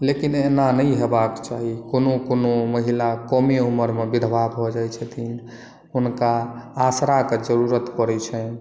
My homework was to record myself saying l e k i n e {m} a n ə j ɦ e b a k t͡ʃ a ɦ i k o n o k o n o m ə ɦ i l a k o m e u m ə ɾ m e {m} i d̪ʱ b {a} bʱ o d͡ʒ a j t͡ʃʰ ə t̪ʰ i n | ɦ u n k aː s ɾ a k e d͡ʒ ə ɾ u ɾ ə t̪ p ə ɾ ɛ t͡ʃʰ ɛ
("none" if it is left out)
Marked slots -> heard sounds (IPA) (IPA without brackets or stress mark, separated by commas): n, b, a